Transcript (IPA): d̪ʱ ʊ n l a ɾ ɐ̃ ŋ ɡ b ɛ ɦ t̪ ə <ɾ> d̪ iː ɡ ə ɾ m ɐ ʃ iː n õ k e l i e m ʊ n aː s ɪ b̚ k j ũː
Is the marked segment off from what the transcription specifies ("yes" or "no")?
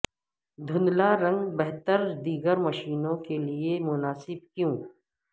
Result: no